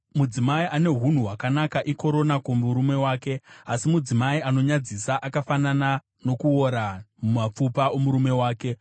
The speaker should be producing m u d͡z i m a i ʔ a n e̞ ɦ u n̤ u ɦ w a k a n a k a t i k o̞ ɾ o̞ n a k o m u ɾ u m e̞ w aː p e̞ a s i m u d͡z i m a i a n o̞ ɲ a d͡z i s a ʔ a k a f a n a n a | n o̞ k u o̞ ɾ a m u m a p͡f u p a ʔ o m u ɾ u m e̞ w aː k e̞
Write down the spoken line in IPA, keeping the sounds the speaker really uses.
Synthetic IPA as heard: m u d͡z i m a i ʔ a n e̞ ɦ u n̤ u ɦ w a k a n a k a ʔ i k o̞ ɾ o̞ n a k o m u ɾ u m e̞ w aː k e̞ a s i m u d͡z i m a i a n o̞ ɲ a d͡z i s a ʔ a k a f a n a n a | n o̞ k u o̞ ɾ a m u m a p͡f u p a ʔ o m u ɾ u m e̞ w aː k e̞